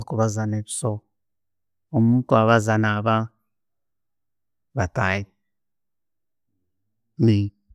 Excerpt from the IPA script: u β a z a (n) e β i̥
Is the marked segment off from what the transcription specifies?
no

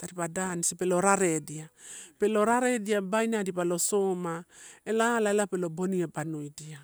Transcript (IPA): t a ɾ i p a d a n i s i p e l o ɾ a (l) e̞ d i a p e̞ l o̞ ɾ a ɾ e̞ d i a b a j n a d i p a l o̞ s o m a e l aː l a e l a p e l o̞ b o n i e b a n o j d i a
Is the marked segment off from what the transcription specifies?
yes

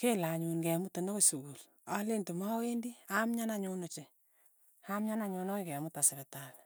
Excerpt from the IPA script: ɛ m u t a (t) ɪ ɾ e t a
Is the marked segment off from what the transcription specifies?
yes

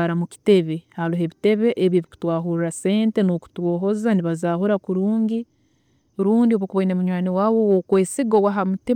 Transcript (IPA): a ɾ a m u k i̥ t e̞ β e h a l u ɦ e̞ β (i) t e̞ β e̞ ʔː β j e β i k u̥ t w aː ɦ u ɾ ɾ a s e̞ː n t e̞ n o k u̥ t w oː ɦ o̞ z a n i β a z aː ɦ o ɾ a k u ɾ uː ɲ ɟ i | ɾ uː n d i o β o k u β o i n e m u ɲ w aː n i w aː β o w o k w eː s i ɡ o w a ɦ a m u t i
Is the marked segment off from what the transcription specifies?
no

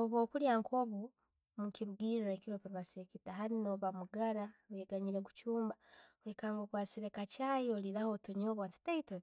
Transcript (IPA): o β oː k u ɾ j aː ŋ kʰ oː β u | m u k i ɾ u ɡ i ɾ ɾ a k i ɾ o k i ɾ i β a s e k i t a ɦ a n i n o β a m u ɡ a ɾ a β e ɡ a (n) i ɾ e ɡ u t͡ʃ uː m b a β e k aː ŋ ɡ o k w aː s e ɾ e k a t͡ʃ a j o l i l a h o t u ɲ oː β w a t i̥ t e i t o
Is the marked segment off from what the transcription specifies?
yes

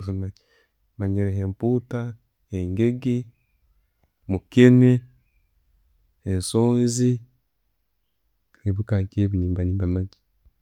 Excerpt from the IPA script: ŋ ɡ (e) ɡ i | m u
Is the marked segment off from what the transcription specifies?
no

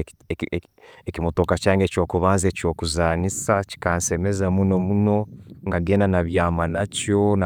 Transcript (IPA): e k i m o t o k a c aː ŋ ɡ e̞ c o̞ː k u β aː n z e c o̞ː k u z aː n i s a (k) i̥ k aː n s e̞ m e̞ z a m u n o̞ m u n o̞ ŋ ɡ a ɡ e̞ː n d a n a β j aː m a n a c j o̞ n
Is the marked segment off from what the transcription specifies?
yes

